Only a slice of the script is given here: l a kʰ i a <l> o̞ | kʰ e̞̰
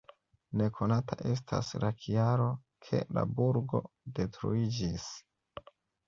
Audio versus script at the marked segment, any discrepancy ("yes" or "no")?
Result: yes